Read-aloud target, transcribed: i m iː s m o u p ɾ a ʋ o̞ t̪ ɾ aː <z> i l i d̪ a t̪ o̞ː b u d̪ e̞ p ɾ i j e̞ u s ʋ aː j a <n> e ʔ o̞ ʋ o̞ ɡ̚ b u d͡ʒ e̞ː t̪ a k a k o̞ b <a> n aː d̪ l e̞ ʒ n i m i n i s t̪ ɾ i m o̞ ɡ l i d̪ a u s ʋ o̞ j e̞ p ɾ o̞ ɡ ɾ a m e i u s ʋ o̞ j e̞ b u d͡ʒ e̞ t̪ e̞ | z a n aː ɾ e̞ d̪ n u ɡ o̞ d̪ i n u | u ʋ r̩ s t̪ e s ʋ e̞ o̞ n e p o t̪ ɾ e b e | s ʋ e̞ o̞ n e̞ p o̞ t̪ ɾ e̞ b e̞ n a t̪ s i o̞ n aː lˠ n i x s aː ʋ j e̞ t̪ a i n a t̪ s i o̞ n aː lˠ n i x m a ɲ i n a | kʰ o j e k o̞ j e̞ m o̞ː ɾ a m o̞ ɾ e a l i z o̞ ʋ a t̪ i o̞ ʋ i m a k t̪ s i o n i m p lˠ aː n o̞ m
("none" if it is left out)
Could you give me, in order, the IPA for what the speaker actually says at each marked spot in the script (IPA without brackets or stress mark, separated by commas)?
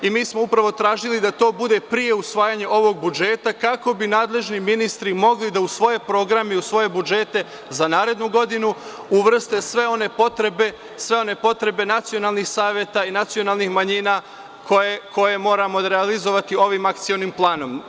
ʒ, ɲ, i